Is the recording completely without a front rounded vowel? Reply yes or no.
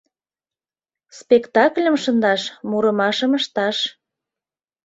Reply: yes